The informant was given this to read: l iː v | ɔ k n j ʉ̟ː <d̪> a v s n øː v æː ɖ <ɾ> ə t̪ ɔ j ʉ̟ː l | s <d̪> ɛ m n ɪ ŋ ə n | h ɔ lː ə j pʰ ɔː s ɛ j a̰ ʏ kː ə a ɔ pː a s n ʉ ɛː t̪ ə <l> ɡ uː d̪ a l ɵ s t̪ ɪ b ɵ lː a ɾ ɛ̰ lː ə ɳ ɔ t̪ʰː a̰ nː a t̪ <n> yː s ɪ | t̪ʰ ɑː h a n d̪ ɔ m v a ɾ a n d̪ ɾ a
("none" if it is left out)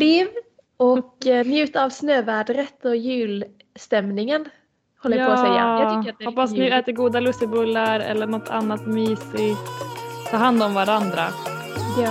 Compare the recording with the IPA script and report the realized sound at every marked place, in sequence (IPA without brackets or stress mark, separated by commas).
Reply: t̪, ɾ, t̪, ɾ, m